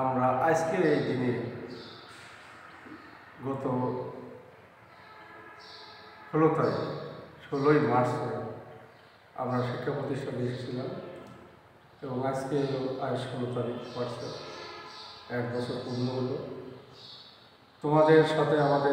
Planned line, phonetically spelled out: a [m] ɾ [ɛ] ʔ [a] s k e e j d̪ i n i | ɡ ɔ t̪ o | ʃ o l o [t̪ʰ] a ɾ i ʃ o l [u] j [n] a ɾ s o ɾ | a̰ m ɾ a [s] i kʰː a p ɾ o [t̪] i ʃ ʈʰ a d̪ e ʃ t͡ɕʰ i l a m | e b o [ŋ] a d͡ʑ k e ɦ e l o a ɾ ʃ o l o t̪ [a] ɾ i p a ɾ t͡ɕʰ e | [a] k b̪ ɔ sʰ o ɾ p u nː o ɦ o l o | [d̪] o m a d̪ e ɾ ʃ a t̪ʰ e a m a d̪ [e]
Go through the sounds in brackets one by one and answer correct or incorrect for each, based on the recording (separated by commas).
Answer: correct, incorrect, correct, incorrect, incorrect, incorrect, incorrect, correct, correct, correct, incorrect, incorrect, correct